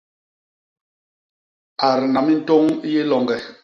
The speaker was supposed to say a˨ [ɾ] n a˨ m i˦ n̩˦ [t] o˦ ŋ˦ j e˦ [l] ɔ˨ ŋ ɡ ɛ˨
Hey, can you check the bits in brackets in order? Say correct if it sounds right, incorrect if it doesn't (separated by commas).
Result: correct, correct, correct